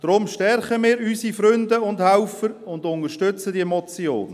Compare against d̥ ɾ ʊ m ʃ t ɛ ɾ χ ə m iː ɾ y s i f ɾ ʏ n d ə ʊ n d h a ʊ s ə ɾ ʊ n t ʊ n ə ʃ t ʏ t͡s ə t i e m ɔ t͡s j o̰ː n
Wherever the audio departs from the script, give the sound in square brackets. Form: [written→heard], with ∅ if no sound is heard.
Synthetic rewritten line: d̥ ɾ ʊ m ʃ t ɛ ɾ χ ə m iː ɾ y s i f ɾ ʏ n d ə ʊ n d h a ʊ [s→f] ə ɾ ʊ n [t→d] ʊ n ə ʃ t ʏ t͡s ə [t→d] i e m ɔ t͡s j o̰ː n